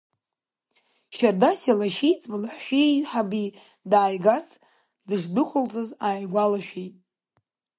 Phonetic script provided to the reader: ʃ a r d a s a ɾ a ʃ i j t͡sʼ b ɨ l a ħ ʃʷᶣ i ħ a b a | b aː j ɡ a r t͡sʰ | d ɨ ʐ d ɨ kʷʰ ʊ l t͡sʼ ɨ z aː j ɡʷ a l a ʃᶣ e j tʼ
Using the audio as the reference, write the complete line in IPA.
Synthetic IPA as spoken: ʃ a r d a s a l a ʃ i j t͡sʼ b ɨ l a ħ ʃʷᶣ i ħ a b i | d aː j ɡ a r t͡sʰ | d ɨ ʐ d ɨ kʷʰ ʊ l t͡sʼ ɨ z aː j ɡʷ a l a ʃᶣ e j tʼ